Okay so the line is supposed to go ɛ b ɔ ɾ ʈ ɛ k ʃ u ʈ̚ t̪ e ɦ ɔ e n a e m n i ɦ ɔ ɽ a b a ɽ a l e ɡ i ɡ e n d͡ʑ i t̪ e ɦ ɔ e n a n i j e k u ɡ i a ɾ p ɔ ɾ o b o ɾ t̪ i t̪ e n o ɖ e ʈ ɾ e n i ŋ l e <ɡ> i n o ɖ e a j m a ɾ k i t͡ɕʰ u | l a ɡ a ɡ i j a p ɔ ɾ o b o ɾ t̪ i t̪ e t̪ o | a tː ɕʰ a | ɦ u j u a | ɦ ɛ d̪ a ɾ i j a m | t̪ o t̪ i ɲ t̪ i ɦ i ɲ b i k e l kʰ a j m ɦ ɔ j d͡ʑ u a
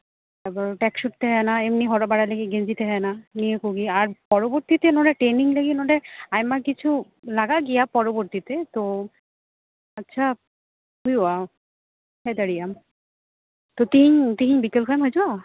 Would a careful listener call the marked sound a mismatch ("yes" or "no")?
no